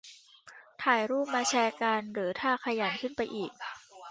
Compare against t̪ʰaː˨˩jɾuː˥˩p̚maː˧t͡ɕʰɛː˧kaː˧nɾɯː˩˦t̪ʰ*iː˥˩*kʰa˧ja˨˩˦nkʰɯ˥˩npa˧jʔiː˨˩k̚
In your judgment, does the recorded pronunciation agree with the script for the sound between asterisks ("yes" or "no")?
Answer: no